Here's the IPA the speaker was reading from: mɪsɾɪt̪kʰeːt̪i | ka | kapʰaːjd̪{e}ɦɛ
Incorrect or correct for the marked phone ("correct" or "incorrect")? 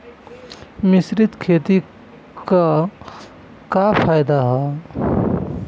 incorrect